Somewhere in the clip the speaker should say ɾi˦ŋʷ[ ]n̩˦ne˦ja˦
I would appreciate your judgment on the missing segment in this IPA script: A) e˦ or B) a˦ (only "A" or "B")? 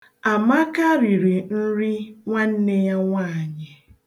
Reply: B